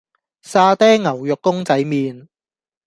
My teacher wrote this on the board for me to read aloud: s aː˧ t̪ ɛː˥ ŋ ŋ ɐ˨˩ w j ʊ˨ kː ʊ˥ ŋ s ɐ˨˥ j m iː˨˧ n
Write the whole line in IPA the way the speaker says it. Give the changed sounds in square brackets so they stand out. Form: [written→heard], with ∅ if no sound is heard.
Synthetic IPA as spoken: s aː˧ t̪ ɛː˥ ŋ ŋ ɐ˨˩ w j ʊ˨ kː ʊ˥ ŋ [s→t͡s] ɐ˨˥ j m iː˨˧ n